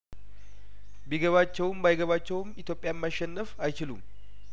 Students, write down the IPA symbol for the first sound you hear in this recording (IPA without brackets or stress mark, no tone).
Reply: b